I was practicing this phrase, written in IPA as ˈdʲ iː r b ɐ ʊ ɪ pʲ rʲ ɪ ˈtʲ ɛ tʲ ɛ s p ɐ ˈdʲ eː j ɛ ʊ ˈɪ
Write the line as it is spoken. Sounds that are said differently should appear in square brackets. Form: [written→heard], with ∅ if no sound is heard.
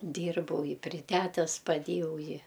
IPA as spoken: ˈdʲ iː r b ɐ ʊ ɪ pʲ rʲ ɪ ˈtʲ [ɛ→æ] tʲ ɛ s p ɐ ˈdʲ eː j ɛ ʊ ˈɪ